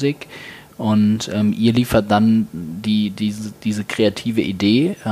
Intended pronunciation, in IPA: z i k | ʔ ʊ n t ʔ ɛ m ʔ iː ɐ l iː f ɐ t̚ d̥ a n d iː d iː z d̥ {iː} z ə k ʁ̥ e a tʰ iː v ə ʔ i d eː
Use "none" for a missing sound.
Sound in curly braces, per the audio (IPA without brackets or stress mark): iː